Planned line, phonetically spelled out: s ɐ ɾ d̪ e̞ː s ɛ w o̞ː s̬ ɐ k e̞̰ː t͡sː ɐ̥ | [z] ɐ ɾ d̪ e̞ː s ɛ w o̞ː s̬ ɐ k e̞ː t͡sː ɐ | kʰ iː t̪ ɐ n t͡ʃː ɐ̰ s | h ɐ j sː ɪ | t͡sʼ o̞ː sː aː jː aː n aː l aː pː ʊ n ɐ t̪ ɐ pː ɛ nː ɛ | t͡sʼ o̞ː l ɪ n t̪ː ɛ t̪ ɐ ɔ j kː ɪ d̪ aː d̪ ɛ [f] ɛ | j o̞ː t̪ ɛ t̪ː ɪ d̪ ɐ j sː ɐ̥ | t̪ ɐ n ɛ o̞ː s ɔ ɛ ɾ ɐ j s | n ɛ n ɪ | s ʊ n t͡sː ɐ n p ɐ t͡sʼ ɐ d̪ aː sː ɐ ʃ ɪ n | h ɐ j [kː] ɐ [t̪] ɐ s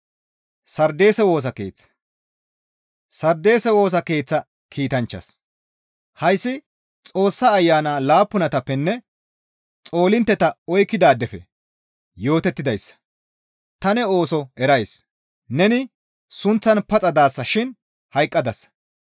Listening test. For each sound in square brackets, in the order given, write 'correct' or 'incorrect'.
incorrect, correct, incorrect, incorrect

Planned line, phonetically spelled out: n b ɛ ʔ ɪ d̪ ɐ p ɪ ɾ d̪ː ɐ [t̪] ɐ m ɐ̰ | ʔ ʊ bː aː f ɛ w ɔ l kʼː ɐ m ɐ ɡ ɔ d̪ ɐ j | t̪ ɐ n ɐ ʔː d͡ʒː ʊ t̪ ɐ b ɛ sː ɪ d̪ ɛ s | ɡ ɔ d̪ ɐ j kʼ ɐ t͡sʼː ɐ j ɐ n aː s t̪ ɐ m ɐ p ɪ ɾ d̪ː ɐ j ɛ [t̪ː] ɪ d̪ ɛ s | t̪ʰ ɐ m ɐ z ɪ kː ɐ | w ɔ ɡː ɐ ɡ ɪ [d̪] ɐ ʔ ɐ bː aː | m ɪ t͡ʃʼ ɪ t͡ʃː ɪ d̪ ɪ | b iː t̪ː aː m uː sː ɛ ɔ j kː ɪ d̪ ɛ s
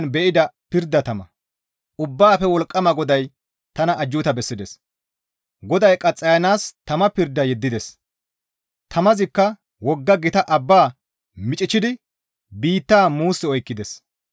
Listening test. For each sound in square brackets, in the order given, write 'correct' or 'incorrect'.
correct, incorrect, incorrect

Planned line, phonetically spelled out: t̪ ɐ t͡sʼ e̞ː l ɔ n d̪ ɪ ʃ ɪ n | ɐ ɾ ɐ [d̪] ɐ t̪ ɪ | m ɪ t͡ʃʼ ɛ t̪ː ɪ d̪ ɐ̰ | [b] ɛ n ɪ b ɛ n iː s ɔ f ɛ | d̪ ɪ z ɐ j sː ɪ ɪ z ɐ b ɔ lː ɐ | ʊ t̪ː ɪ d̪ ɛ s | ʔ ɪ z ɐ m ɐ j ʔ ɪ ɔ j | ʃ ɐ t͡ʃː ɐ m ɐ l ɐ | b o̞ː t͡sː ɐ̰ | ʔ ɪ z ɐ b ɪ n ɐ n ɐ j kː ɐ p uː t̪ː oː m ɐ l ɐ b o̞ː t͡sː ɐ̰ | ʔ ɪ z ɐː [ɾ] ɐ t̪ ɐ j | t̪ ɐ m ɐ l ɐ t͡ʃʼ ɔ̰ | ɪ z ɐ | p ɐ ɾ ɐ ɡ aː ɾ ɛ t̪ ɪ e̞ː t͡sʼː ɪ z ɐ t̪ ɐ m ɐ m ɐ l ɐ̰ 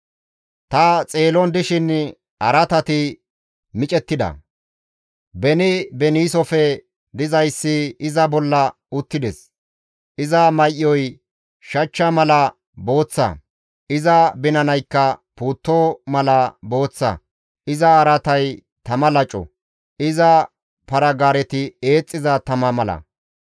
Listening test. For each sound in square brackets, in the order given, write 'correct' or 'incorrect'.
incorrect, correct, correct

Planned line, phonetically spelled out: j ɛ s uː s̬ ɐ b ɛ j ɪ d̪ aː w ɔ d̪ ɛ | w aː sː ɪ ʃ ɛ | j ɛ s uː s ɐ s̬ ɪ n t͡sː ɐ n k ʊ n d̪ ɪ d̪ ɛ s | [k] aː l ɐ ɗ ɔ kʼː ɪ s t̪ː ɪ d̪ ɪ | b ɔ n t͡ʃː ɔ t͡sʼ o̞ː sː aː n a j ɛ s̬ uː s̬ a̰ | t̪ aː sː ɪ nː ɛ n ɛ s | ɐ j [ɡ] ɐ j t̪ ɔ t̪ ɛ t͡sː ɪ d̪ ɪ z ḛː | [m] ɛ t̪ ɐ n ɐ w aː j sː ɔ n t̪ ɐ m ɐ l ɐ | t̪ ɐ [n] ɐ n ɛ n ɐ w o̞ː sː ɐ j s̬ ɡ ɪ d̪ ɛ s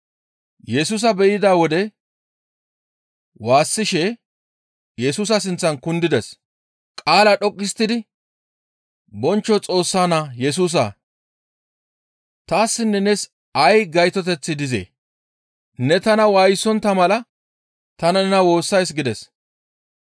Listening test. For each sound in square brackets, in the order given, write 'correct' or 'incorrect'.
incorrect, correct, incorrect, correct

